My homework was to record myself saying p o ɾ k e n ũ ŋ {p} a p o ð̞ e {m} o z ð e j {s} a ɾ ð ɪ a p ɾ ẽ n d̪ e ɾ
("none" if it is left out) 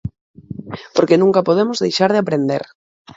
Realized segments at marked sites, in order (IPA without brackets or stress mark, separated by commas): k, m, ʃ